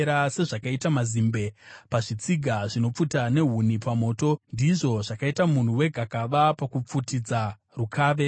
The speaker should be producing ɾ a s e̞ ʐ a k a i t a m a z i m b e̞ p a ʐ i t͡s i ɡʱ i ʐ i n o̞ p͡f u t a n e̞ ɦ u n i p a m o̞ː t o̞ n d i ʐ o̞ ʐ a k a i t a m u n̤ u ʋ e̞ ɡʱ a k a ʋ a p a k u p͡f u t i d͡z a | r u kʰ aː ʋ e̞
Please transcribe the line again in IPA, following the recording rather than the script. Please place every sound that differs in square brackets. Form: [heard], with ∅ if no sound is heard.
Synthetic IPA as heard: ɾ a s e̞ ʐ a k a i t a m a z i m b e̞ p a ʐ i t͡s i ɡʱ [a] ʐ i n o̞ p͡f u t a n e̞ ɦ u n i p a m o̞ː t o̞ n d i ʐ o̞ ʐ a k a i t a m u n̤ u [w] e̞ ɡʱ a k a ʋ a p a k u p͡f u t i d͡z a | r u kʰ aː ʋ e̞